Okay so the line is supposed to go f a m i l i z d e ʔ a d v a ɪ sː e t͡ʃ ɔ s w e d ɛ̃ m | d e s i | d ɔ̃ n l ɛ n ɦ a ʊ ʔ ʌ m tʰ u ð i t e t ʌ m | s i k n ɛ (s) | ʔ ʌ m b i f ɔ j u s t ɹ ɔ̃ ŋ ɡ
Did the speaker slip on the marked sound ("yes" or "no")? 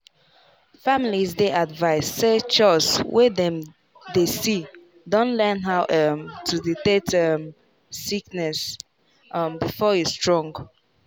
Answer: no